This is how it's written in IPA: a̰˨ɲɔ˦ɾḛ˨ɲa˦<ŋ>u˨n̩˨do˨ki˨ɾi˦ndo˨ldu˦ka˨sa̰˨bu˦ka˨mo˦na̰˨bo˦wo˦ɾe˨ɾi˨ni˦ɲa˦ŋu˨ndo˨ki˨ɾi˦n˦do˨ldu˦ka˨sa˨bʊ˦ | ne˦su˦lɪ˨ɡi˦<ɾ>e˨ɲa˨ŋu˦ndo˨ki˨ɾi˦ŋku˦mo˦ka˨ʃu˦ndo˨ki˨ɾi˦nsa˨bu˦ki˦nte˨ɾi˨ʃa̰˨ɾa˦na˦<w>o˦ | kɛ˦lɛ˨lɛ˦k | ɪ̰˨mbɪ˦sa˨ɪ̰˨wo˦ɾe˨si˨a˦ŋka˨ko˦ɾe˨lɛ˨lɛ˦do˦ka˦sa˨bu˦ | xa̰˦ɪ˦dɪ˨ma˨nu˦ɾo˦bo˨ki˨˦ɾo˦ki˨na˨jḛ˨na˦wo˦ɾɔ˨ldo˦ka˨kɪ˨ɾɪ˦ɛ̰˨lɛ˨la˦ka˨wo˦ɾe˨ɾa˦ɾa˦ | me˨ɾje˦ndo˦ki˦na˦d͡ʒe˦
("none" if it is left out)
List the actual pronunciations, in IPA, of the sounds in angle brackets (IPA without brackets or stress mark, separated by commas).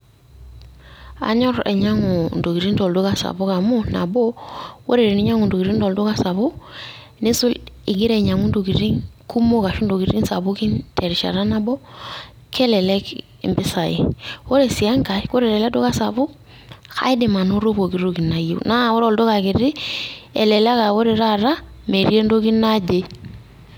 ŋ, ɾ, b